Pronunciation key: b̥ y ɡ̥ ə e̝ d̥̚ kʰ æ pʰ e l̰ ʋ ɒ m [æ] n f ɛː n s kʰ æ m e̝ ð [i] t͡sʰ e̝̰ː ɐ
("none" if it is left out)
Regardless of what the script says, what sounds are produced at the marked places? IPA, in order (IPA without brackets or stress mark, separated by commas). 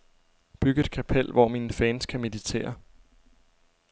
i, i